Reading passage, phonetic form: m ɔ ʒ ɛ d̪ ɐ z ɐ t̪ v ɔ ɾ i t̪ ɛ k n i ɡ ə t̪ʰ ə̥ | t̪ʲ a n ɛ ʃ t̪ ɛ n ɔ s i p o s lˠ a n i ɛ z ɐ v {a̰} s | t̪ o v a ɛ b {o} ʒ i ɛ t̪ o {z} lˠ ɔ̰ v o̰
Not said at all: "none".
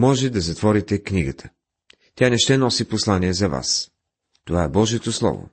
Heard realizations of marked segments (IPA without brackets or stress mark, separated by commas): a̰, ɔ, s